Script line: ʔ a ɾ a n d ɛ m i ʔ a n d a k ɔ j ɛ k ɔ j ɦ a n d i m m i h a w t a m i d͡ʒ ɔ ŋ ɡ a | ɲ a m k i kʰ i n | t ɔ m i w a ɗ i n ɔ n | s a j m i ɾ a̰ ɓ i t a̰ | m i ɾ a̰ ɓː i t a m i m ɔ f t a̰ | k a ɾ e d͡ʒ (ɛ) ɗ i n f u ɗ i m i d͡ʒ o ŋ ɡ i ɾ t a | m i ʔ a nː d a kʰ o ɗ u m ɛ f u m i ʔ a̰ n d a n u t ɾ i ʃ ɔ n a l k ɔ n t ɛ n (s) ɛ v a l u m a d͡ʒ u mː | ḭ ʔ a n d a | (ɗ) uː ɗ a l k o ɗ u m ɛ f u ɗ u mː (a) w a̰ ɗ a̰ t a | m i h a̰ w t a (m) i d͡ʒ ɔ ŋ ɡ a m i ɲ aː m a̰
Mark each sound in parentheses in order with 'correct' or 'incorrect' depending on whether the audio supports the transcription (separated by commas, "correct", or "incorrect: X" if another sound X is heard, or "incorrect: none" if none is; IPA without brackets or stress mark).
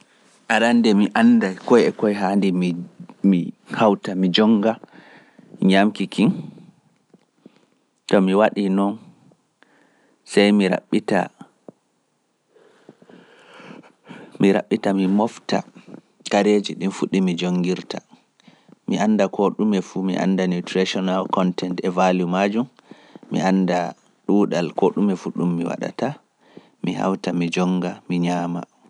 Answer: incorrect: i, incorrect: t, correct, incorrect: i, correct